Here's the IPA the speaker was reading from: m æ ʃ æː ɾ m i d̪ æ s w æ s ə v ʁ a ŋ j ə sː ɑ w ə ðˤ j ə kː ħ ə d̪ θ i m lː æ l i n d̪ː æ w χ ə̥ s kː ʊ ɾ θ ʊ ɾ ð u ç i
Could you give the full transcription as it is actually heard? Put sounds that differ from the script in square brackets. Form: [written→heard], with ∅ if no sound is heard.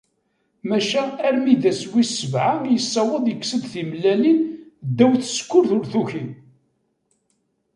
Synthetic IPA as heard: m æ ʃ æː ɾ m i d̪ æ s w [æ→i] s ə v [ʁ→ʕ] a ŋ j ə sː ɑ w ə ðˤ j ə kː [ħ→s] ə d̪ θ i m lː æ l i n d̪ː æ w [χ→θ] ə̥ s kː ʊ ɾ θ ʊ ɾ [ð→θ] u ç i

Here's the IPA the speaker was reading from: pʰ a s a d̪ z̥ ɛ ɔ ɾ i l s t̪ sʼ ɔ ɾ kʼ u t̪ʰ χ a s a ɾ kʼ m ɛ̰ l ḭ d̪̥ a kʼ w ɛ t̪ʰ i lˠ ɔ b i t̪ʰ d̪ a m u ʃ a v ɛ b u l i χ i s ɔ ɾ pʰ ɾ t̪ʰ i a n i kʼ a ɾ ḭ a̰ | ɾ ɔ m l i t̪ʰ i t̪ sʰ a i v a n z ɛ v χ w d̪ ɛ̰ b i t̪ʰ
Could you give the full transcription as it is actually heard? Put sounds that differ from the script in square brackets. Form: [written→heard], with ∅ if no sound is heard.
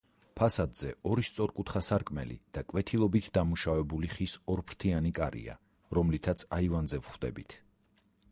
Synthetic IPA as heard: pʰ a s a d̪ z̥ ɛ ɔ ɾ i [l→∅] s t̪ sʼ ɔ ɾ kʼ u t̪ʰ χ a s a ɾ kʼ m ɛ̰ l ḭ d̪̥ a kʼ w ɛ t̪ʰ i lˠ ɔ b i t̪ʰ d̪ a m u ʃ a v ɛ b u l i χ i s ɔ ɾ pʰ ɾ t̪ʰ i a n i kʼ a ɾ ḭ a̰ | ɾ ɔ m l i t̪ʰ [i→a] t̪ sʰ a i v a n z ɛ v χ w d̪ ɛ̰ b i t̪ʰ

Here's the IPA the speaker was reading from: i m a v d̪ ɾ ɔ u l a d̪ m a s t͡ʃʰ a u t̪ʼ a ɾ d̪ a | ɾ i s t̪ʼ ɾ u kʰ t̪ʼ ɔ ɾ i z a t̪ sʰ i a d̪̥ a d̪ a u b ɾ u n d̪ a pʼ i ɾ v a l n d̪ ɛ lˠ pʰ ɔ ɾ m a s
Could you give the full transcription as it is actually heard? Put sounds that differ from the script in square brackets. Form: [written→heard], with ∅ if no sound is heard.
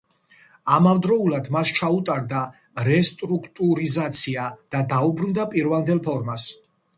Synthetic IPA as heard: [i→a] m a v d̪ ɾ ɔ u l a d̪ m a s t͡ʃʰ a u t̪ʼ a ɾ d̪ a | ɾ [i→ɛ] s t̪ʼ ɾ u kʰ t̪ʼ [ɔ→u] ɾ i z a t̪ sʰ i a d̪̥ a d̪ a u b ɾ u n d̪ a pʼ i ɾ v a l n d̪ ɛ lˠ pʰ ɔ ɾ m a s

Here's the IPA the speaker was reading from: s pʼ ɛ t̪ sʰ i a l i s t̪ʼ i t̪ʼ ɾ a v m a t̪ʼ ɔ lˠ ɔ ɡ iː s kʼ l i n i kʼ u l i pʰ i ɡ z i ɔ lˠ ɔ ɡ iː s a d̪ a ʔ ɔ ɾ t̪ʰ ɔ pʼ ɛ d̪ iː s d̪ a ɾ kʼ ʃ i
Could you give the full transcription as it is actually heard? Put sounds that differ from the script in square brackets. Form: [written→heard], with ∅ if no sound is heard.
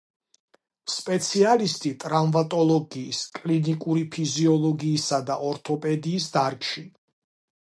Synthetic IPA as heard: s pʼ ɛ t̪ sʰ i a l i s t̪ʼ i t̪ʼ ɾ a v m a t̪ʼ ɔ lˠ ɔ ɡ iː s kʼ l i n i kʼ u [l→ɾ] i pʰ i [ɡ→∅] z i ɔ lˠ ɔ ɡ iː s a d̪ a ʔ ɔ ɾ t̪ʰ ɔ pʼ ɛ d̪ iː s d̪ a ɾ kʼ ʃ i

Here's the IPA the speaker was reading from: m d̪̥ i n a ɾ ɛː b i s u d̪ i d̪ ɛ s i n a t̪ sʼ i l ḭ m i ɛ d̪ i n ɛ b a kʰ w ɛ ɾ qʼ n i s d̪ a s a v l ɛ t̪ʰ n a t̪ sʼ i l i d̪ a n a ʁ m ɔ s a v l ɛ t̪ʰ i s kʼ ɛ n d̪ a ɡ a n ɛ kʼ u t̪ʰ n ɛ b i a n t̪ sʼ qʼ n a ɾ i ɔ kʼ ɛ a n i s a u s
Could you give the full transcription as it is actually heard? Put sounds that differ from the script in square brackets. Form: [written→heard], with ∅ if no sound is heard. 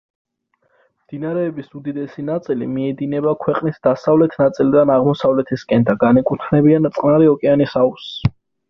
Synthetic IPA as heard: m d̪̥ i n a ɾ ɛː b i s u d̪ i d̪ ɛ s i n a t̪ sʼ i l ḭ m i ɛ d̪ i n ɛ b a kʰ w ɛ [ɾ→∅] qʼ n i s d̪ a s a v l ɛ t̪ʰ n a t̪ sʼ i l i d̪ a n a ʁ m ɔ s a v l ɛ t̪ʰ i s kʼ ɛ n d̪ a ɡ a n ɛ kʼ u t̪ʰ n ɛ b i a n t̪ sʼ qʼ n a ɾ i ɔ kʼ ɛ a n i s a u s

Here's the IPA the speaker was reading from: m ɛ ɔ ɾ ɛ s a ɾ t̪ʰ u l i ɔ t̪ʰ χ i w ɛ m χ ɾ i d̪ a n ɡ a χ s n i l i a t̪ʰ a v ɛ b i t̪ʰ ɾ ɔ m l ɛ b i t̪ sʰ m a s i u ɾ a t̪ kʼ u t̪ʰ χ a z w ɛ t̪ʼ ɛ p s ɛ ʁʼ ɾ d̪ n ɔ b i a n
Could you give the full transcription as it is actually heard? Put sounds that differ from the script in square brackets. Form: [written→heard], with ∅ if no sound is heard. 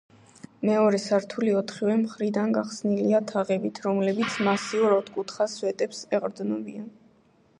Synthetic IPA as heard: m ɛ ɔ ɾ ɛ s a ɾ t̪ʰ u l i ɔ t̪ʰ χ i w ɛ m χ ɾ i d̪ a n ɡ a χ s n i l i a t̪ʰ a [v→ʁ] ɛ b i t̪ʰ ɾ ɔ m l ɛ b i t̪ sʰ m a s i u ɾ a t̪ kʼ u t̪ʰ χ a [z→s] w ɛ t̪ʼ ɛ p s ɛ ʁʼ ɾ d̪ n ɔ b i a n

